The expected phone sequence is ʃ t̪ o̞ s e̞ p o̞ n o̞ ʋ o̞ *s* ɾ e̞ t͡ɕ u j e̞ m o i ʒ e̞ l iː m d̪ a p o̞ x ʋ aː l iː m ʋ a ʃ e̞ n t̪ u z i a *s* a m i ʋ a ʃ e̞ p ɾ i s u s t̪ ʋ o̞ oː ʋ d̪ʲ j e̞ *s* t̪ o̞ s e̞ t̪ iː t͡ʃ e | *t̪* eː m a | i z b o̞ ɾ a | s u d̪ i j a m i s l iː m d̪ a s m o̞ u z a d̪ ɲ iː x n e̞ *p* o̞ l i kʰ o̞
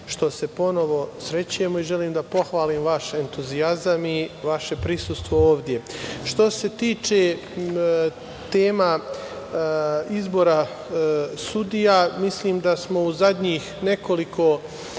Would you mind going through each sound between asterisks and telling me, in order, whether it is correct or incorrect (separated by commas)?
correct, incorrect, incorrect, correct, incorrect